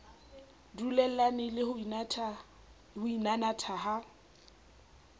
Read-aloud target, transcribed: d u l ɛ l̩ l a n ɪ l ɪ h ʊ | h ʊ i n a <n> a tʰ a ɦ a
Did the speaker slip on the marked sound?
no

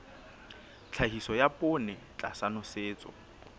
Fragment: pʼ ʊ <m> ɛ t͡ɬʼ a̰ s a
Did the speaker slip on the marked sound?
yes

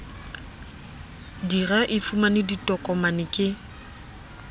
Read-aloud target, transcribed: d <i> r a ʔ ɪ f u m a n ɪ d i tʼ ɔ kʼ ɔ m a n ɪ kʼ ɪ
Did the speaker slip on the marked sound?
no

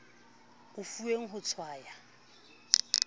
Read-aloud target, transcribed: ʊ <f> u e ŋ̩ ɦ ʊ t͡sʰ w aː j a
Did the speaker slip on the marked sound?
no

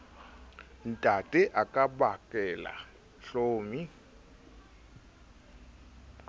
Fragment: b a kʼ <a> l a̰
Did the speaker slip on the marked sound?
yes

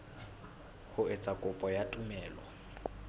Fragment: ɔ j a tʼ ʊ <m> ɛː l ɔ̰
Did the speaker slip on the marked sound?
no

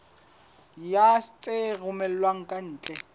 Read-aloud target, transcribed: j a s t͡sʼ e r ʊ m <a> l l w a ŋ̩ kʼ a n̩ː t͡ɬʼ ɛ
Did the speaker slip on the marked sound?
yes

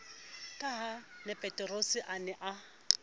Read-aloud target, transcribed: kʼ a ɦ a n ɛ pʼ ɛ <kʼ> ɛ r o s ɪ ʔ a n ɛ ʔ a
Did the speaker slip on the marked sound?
yes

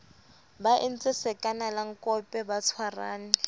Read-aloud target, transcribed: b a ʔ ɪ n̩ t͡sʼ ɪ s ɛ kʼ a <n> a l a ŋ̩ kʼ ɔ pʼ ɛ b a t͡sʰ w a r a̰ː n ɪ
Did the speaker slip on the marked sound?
no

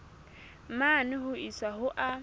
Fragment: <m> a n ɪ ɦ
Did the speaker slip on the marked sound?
no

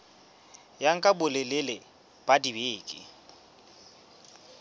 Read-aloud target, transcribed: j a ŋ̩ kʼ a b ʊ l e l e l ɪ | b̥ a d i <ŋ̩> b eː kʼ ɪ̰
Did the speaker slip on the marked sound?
yes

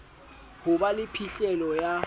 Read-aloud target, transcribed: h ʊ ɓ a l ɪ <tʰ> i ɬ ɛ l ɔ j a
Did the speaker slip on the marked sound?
yes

